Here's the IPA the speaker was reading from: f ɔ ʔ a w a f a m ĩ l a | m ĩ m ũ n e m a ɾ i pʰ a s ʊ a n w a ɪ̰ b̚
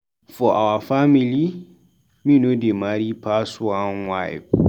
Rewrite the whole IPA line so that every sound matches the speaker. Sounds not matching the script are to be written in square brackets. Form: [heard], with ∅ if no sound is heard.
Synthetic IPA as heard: f ɔ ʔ a w a f a m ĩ l [i] | m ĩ [n] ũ [d] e m a ɾ i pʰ a s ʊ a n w a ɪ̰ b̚